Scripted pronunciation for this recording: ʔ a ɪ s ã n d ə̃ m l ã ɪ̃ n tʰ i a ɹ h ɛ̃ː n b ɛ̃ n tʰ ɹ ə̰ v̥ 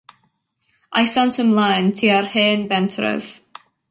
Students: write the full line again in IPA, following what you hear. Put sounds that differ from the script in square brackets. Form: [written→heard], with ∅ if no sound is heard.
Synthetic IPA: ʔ a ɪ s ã n [d→t] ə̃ m l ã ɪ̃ n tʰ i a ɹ h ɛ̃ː n b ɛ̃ n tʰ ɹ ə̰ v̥